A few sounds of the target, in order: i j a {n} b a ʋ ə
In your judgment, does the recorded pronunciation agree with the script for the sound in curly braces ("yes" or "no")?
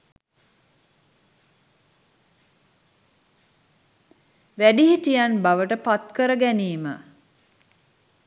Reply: yes